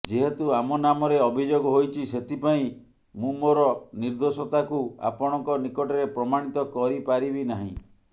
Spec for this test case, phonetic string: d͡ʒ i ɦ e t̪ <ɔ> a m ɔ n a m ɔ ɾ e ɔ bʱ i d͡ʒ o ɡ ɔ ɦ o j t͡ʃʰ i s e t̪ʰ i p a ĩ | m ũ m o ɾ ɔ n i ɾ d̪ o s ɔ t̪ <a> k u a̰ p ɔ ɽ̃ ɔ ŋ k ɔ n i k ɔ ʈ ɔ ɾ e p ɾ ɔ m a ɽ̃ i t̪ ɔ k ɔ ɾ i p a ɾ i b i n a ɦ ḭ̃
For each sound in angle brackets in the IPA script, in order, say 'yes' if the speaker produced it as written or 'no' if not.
no, yes

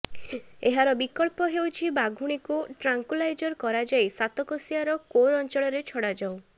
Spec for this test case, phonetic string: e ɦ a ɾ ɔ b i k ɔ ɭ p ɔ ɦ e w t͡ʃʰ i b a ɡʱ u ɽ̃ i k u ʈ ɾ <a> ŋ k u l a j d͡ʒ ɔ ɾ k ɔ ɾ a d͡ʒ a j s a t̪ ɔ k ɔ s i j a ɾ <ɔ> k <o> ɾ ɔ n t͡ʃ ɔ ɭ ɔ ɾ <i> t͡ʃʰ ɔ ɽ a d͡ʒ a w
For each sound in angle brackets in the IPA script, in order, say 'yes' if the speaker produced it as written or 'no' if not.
yes, yes, yes, no

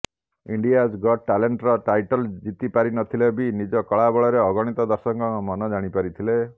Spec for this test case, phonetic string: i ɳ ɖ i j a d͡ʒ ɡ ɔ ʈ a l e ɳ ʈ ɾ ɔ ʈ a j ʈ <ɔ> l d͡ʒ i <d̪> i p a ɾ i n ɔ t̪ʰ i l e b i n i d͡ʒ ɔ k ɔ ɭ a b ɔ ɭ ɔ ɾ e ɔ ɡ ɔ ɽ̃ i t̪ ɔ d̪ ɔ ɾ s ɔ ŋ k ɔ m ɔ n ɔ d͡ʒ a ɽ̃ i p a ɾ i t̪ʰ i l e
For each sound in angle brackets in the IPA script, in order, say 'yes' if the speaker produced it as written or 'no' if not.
yes, no

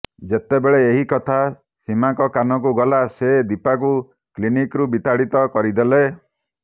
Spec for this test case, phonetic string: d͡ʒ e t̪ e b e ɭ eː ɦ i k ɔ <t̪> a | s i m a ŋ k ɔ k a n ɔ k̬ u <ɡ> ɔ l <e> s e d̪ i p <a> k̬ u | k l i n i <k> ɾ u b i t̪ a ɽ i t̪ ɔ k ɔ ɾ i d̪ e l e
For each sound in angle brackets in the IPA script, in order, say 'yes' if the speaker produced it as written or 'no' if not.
no, yes, no, yes, yes

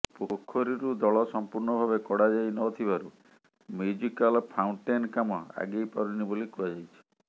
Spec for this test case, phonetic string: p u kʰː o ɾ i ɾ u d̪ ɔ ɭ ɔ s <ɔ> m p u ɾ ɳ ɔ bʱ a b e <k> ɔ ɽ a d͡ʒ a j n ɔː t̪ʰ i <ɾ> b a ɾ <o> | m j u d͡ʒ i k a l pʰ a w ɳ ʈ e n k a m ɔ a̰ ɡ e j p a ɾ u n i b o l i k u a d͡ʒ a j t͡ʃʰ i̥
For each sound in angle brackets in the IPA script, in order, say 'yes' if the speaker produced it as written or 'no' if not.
yes, yes, no, no

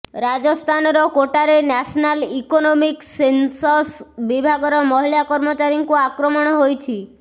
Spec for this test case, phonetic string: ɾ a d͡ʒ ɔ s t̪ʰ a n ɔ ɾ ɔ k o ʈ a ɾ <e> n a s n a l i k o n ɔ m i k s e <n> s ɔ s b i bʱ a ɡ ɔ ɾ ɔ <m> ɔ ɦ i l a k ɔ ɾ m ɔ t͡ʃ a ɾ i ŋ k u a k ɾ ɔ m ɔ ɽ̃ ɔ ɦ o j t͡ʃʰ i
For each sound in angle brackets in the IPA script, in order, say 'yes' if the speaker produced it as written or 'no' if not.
yes, yes, yes

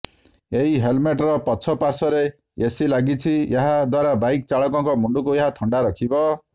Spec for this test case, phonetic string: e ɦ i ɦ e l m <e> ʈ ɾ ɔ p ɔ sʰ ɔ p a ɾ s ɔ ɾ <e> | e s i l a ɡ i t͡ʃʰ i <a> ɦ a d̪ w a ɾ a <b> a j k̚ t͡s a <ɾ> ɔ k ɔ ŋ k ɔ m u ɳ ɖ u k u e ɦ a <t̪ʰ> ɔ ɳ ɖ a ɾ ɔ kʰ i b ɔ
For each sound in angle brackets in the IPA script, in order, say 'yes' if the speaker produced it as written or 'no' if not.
yes, yes, no, yes, no, yes

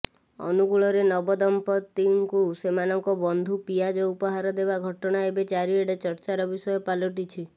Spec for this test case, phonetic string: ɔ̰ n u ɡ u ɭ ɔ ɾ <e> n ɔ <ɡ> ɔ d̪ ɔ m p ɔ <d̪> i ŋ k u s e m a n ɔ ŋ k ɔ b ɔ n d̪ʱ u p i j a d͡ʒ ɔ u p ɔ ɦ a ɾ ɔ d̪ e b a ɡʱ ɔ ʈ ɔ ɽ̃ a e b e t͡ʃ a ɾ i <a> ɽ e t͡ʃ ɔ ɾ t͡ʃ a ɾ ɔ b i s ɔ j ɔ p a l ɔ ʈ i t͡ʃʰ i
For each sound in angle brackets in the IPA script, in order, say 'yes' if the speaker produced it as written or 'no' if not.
yes, no, no, no

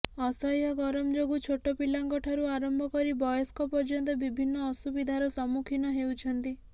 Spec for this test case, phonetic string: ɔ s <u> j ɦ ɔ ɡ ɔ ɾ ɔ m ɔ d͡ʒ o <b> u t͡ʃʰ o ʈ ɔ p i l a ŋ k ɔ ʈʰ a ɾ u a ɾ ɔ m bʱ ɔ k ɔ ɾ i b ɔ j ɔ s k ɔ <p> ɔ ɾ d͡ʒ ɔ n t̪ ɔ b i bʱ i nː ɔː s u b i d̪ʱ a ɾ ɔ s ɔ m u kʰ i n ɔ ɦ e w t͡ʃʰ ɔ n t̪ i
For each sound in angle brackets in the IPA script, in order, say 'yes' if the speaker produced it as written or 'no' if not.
no, no, yes

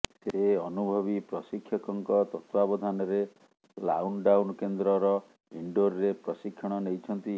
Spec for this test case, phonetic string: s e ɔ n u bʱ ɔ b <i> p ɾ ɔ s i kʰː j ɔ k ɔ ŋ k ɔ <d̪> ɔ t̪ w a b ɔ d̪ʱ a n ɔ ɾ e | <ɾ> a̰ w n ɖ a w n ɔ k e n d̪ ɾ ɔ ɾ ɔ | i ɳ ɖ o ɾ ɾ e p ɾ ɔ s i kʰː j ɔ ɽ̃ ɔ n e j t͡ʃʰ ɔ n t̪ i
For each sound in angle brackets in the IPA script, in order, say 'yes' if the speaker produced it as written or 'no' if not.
yes, no, no

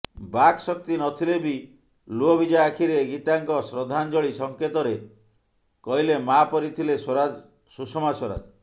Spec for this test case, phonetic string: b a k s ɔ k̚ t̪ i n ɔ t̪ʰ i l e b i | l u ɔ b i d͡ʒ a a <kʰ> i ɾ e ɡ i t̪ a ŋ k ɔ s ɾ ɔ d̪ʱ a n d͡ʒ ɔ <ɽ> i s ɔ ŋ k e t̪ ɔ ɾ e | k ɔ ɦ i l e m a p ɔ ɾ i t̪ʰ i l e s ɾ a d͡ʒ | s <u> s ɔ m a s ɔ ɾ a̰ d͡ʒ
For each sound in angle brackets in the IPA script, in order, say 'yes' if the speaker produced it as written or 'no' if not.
yes, no, yes

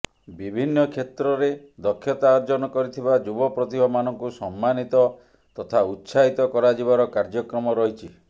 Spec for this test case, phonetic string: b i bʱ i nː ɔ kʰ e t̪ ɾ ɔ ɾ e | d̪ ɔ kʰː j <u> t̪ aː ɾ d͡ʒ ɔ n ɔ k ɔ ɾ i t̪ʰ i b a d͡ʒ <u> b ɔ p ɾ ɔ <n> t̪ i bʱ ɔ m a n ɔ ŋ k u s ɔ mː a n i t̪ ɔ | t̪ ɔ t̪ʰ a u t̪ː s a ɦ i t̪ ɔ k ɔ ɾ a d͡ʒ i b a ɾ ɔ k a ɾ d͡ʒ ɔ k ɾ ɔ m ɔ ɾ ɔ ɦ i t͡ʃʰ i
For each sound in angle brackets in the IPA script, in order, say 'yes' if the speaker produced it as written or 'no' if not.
no, yes, no

